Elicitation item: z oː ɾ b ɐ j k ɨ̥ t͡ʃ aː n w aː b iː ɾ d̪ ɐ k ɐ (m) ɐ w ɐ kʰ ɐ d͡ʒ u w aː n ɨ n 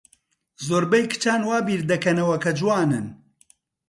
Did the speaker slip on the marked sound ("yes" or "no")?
yes